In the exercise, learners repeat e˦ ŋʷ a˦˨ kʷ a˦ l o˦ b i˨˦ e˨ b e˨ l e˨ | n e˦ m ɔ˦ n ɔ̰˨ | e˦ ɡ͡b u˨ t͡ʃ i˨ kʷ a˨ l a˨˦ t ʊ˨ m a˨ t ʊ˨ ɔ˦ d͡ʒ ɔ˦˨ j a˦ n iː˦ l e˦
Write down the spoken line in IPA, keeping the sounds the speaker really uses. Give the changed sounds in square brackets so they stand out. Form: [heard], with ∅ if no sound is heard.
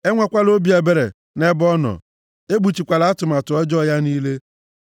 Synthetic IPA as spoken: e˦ ŋʷ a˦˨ kʷ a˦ l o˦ b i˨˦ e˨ b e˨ [ɾ] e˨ | n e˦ [b] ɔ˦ n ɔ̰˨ | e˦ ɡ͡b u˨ t͡ʃ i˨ kʷ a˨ l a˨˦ t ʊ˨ m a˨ t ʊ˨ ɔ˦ d͡ʒ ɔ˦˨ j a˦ n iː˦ l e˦